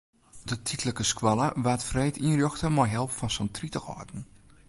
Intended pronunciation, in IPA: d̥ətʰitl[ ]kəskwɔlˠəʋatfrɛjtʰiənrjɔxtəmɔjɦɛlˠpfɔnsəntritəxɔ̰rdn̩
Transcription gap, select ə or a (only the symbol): ə